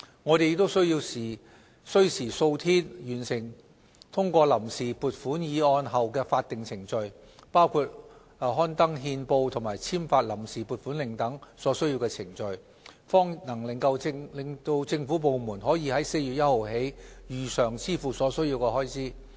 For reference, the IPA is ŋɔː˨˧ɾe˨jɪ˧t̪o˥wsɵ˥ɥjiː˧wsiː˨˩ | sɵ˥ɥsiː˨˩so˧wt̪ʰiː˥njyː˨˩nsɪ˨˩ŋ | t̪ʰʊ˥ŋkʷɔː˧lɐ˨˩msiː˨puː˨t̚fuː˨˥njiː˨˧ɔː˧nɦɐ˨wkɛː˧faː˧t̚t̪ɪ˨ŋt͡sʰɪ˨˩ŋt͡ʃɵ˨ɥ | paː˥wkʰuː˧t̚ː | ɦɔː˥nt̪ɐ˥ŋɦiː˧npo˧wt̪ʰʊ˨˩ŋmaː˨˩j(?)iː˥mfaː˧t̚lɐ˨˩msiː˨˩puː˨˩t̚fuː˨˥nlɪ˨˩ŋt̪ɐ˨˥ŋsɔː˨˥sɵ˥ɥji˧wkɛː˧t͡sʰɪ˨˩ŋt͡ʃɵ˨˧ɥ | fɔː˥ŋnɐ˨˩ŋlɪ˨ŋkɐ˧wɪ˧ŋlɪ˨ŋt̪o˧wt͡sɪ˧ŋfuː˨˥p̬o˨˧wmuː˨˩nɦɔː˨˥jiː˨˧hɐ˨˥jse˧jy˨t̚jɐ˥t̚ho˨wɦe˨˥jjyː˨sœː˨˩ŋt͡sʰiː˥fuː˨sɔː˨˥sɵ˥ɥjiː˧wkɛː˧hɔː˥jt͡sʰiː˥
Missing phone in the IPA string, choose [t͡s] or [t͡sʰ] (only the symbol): t͡sʰ